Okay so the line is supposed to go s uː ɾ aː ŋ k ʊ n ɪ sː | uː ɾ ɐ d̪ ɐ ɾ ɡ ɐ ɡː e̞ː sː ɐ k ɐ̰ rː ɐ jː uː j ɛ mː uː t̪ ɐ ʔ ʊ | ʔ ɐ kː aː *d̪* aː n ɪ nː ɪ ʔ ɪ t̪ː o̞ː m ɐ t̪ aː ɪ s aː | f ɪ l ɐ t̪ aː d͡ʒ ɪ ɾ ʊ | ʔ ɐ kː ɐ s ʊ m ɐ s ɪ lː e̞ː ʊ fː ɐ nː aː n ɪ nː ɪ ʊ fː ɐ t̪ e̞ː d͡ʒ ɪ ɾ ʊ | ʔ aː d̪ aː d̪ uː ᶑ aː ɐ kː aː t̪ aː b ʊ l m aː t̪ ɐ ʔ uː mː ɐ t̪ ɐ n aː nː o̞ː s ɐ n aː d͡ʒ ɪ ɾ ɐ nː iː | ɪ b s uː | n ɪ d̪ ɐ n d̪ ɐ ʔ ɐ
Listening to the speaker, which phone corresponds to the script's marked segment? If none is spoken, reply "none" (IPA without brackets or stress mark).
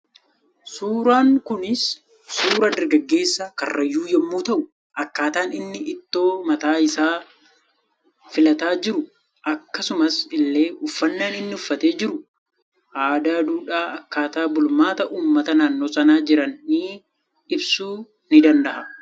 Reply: t̪